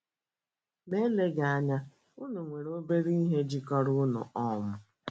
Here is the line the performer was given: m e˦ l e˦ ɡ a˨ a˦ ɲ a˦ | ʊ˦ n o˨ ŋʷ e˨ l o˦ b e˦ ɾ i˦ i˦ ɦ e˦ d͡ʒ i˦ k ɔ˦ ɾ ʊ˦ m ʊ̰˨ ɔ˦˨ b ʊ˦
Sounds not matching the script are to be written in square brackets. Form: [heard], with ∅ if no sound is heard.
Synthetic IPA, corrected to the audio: m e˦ l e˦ ɡ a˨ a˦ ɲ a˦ | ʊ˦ n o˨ ŋʷ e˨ [ɾ] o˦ b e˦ ɾ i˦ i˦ ɦ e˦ d͡ʒ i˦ k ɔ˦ ɾ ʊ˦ [n] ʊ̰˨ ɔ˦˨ [m] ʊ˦